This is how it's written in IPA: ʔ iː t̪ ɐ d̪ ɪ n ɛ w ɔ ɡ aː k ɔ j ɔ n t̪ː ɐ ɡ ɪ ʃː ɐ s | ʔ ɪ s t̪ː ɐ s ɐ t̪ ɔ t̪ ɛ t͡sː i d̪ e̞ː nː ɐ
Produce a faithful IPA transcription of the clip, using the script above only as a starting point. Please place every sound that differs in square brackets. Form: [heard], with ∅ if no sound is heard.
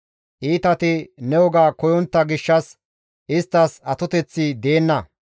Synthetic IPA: ʔ iː t̪ ɐ [t̪] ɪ n ɛ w ɔ ɡ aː k ɔ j ɔ n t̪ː ɐ ɡ ɪ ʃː ɐ s | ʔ ɪ s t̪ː ɐ s ɐ t̪ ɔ t̪ ɛ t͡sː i d̪ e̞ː nː ɐ